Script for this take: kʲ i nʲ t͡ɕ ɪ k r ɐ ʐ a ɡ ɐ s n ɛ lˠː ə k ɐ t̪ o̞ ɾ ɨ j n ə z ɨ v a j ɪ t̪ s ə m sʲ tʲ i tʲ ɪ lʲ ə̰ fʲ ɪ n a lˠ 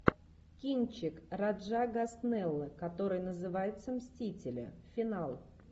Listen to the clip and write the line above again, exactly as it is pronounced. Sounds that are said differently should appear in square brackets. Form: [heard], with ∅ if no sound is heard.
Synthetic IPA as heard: kʲ i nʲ t͡ɕ ɪ k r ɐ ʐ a ɡ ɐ s n ɛ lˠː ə k ɐ t̪ o̞ ɾ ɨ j n ə z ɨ v a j ɪ t̪ s ə m sʲ tʲ i tʲ ɪ lʲ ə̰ fʲ ɪ n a lˠ